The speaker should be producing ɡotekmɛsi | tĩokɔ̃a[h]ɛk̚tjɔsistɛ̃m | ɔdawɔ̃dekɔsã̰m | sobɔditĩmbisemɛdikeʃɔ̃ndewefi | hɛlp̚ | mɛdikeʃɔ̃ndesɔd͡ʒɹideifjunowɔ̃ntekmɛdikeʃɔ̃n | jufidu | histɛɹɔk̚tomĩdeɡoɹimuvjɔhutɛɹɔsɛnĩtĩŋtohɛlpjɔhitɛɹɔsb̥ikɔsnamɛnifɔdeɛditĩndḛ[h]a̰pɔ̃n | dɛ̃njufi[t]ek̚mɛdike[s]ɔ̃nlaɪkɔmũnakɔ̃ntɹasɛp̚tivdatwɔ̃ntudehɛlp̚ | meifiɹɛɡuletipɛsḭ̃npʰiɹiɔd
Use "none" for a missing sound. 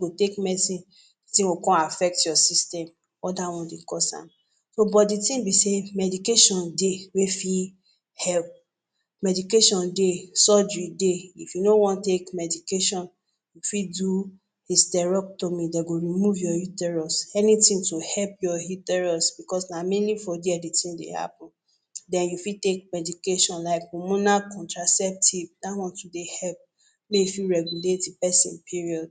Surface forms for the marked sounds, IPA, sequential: f, h, t, ʃ

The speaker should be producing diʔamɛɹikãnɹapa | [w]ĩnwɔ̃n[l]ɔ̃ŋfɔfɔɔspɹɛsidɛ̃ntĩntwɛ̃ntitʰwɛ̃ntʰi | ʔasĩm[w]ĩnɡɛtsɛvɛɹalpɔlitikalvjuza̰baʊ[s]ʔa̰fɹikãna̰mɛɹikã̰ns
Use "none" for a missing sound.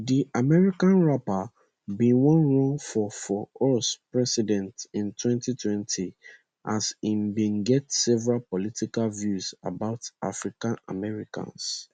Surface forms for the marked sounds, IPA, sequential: b, ɹ, b, t

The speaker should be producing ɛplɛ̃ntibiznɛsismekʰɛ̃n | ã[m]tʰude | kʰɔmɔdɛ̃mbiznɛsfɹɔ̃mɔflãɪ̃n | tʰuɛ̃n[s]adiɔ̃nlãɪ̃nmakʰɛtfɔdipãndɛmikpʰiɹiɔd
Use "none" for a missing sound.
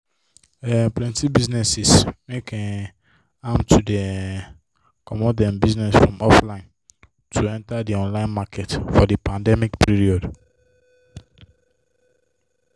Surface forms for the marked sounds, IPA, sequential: m, t

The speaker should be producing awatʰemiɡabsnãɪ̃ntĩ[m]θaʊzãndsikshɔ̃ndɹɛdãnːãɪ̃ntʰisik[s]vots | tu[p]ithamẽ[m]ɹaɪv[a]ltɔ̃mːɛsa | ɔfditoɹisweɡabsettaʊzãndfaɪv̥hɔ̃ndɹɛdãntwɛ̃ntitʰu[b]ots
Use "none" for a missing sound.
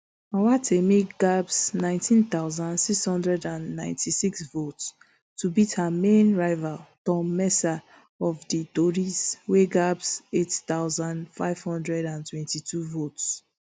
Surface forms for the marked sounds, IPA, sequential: n, s, b, n, a, v

